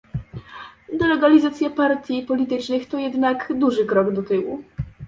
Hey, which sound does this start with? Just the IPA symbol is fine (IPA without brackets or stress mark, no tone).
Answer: d̪